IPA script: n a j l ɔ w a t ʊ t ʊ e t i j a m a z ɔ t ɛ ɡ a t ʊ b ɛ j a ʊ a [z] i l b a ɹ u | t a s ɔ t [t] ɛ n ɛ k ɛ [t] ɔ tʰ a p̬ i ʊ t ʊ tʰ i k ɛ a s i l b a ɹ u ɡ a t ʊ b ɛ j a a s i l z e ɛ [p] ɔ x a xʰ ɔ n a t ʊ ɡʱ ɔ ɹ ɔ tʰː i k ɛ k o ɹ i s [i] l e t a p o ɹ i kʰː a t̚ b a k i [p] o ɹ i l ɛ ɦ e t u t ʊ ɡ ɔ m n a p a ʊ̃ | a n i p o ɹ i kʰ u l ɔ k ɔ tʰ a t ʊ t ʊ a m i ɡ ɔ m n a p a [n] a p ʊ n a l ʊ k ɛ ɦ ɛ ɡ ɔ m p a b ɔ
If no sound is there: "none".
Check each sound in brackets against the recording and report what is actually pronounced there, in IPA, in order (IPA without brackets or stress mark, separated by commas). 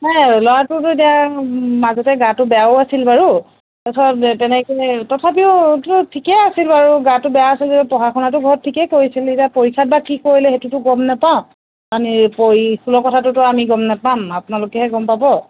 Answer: s, t, t, p, i, k, m